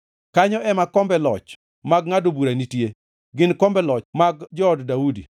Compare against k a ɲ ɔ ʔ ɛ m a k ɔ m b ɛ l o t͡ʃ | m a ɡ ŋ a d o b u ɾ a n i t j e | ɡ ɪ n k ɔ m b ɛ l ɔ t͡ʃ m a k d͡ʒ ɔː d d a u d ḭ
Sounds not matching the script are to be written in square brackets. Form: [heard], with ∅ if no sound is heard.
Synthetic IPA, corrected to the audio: k a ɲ ɔ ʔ ɛ m a k ɔ m b ɛ l [ɔ] t͡ʃ | m a ɡ ŋ a d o b u ɾ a n i t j e | ɡ ɪ n k ɔ m b ɛ l ɔ t͡ʃ m a [ɡ] d͡ʒ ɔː d d a u d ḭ